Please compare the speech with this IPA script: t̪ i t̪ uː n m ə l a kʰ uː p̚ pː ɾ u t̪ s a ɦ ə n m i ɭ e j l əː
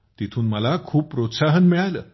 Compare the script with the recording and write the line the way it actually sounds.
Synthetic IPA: t̪ i t̪ʰ uː n m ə l a kʰ uː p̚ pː ɾ o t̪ s a ɦ ə n m i ɭ a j l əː